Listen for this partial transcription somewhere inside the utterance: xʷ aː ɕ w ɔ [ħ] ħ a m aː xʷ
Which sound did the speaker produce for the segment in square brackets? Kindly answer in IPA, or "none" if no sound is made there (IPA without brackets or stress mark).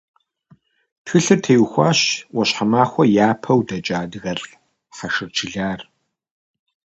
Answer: ɕ